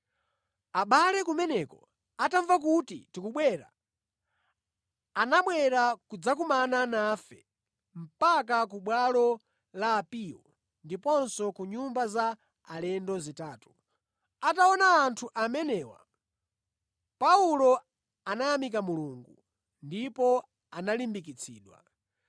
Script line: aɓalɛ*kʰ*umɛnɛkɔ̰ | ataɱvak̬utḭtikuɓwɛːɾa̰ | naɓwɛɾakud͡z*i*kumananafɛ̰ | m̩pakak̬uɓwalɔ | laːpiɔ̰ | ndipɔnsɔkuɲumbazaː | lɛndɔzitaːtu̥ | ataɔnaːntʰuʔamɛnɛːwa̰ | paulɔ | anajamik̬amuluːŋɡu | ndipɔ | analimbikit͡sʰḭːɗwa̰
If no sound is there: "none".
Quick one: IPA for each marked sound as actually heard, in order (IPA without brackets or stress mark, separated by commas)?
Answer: k, a